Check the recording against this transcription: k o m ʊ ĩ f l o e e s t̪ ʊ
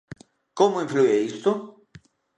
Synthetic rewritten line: k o m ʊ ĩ f l u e i s t̪ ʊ